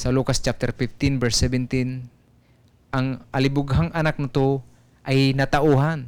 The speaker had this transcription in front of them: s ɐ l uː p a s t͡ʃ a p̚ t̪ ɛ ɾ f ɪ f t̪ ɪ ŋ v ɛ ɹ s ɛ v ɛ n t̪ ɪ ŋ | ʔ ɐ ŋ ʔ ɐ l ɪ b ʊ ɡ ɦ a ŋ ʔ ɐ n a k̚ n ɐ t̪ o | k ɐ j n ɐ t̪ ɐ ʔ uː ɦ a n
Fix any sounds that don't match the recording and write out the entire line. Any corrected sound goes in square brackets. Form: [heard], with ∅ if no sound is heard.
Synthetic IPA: s ɐ l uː [k] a s t͡ʃ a p̚ t̪ ɛ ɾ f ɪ f t̪ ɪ [n] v ɛ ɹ s ɛ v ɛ n t̪ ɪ [n] | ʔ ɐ ŋ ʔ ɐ l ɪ b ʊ ɡ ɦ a ŋ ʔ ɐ n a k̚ n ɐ t̪ o | [ʔ] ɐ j n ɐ t̪ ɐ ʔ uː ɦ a n